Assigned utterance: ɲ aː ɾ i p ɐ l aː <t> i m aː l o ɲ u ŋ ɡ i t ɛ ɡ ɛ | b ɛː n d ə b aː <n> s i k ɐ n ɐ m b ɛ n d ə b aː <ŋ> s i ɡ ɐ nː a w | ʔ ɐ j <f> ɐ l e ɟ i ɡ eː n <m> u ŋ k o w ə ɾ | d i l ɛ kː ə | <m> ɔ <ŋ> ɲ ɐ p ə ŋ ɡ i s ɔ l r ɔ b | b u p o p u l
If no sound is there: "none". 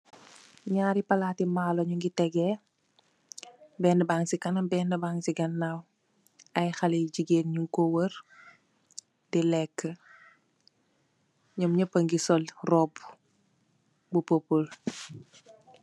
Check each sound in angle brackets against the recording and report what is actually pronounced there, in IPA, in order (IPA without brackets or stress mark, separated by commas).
t, ŋ, ŋ, x, ɲ, ɲ, m